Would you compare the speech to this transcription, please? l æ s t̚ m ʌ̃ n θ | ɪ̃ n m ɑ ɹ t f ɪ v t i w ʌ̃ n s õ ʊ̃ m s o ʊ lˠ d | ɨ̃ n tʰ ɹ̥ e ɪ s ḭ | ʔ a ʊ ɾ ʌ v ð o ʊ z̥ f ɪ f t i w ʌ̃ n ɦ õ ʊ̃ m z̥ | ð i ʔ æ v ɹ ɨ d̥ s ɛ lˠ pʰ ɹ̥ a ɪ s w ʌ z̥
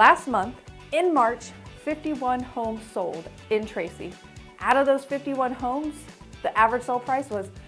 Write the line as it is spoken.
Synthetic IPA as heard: l æ s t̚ m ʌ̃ n θ | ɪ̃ n m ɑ ɹ t͡ʃ f ɪ f t i w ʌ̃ n h õ ʊ̃ m s o ʊ lˠ d | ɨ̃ n tʰ ɹ̥ e ɪ s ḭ | ʔ a ʊ ɾ ʌ v ð o ʊ z̥ f ɪ f t i w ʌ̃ n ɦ õ ʊ̃ m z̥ | ð i ʔ æ v ɹ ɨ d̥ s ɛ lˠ pʰ ɹ̥ a ɪ s w ʌ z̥